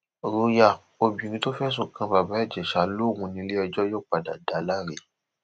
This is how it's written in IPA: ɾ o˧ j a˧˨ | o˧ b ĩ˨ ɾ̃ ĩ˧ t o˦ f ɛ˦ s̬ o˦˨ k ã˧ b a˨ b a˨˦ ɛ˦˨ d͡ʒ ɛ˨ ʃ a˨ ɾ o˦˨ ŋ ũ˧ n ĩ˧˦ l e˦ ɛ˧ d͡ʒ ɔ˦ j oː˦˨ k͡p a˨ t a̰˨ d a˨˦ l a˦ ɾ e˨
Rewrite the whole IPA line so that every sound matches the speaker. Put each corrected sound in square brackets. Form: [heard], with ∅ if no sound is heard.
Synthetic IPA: ɾ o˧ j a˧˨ | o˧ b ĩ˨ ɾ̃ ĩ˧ t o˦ f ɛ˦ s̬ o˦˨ k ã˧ b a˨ b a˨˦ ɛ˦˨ d͡ʒ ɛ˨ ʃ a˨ [l] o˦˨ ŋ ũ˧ n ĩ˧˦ l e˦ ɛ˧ d͡ʒ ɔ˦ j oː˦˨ k͡p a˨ [d] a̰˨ d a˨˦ l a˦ ɾ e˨